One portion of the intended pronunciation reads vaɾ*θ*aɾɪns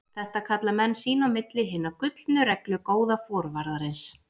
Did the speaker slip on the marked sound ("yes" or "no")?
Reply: yes